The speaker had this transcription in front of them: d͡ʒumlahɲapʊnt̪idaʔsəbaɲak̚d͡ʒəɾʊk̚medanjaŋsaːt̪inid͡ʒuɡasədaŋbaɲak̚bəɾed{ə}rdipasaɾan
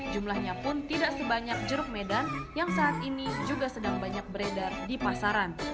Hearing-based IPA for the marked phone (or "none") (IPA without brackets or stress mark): a